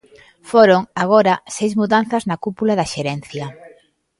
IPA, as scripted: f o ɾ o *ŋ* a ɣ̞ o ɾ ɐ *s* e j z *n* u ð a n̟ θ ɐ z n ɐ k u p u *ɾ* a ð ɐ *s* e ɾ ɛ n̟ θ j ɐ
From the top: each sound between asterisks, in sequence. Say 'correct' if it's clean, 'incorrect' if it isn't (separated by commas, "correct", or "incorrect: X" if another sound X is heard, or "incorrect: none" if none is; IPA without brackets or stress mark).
correct, correct, incorrect: m, incorrect: l, incorrect: ʃ